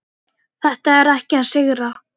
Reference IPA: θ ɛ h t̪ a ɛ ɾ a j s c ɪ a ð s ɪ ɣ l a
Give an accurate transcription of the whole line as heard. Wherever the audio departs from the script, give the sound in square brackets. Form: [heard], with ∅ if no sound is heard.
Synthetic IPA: θ ɛ h t̪ a ɛ ɾ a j [h] c ɪ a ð s ɪ ɣ [ɾ] a